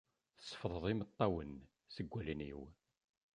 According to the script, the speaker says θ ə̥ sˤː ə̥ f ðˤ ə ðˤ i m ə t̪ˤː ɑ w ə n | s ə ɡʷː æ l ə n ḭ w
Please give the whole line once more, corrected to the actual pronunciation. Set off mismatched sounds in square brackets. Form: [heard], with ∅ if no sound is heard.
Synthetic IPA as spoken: θ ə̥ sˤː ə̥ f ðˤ ə ðˤ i m ə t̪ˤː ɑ w ə n | s ə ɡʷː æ l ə n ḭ w